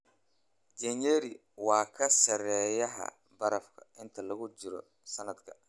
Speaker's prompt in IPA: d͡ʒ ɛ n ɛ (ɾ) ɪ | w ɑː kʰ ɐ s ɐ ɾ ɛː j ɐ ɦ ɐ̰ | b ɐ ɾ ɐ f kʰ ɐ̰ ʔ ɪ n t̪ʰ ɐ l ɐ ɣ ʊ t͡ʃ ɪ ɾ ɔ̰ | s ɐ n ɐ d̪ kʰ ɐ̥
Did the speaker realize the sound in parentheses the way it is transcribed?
yes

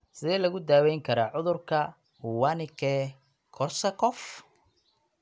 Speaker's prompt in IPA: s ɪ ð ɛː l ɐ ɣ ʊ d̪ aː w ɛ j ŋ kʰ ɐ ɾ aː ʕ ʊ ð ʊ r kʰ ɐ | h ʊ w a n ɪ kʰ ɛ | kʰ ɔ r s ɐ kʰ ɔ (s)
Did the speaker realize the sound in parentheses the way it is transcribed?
no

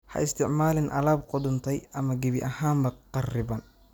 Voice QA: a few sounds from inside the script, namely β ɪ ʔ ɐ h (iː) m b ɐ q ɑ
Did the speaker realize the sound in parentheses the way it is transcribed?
no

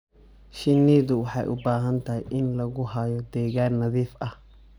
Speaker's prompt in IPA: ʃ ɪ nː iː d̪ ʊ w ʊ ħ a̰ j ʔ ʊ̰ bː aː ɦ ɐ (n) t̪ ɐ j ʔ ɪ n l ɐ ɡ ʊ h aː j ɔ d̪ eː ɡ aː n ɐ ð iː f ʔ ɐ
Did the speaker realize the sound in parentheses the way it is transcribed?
yes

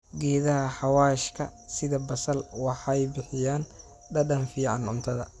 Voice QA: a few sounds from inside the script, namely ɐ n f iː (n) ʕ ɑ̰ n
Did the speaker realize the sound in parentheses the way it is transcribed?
no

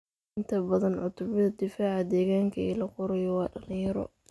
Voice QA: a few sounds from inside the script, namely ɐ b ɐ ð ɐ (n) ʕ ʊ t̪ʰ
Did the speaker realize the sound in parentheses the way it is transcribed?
yes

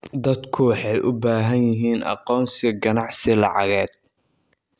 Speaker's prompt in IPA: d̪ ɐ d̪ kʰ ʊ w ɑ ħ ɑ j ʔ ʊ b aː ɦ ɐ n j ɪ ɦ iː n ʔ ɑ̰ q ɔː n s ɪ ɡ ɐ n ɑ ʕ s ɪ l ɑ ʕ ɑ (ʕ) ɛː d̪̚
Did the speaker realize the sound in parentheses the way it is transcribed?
no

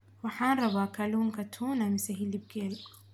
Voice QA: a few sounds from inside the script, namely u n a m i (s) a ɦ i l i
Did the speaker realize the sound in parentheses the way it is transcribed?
yes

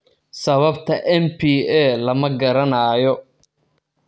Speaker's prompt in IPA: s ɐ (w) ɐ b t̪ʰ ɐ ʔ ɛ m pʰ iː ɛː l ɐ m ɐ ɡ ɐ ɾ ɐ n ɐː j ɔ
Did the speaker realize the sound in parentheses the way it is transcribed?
no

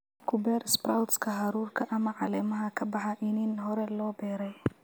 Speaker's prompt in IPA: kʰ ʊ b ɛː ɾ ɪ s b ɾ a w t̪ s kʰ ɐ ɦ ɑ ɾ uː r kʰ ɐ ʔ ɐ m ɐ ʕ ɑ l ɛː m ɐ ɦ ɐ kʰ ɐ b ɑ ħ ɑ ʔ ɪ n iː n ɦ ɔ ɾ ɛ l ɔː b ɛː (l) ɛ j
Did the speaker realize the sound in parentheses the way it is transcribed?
no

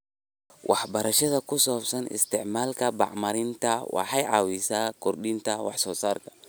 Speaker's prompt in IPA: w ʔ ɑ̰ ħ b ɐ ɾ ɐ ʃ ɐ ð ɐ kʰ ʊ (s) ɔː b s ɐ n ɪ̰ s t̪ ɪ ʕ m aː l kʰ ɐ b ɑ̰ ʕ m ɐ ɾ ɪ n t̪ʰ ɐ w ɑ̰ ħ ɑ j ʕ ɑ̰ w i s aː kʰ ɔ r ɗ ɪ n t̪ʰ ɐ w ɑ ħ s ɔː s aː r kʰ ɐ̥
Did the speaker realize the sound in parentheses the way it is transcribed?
yes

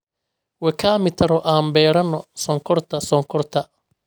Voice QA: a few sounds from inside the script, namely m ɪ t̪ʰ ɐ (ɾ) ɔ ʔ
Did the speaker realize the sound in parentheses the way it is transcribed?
yes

